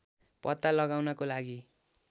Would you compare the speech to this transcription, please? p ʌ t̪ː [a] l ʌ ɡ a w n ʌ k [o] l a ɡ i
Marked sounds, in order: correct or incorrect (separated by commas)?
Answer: correct, correct